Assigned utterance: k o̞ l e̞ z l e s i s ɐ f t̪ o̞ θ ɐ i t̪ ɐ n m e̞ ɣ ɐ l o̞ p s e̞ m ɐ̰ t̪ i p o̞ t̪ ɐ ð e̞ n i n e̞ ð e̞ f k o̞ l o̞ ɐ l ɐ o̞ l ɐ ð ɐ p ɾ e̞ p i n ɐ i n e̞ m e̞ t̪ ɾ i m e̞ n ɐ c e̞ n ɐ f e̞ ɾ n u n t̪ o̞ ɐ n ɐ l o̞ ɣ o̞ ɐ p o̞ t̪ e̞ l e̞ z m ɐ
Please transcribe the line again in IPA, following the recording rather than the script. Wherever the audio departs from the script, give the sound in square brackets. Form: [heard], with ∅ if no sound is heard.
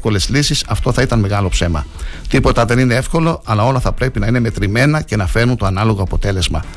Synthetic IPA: k o̞ l e̞ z l [i] s i s ɐ f t̪ o̞ θ ɐ i t̪ ɐ n m e̞ ɣ ɐ l o̞ p s e̞ m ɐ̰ t̪ i p o̞ t̪ ɐ ð e̞ n i n e̞ [∅] e̞ f k o̞ l o̞ ɐ l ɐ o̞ l ɐ [θ] ɐ p ɾ e̞ p i n ɐ i n e̞ m e̞ t̪ ɾ i m e̞ n ɐ c e̞ n ɐ f e̞ ɾ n u n t̪ o̞ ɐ n ɐ l o̞ ɣ o̞ ɐ p o̞ t̪ e̞ l e̞ z m ɐ